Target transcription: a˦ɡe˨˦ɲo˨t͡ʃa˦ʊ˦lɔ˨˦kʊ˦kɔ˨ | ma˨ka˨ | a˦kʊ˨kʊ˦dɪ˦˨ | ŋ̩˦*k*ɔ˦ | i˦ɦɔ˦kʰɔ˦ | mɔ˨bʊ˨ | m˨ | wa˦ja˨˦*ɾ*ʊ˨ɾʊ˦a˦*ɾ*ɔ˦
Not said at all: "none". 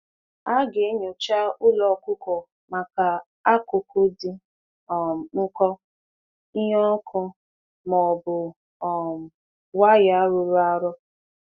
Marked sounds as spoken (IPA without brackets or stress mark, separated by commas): k, ɾ, ɾ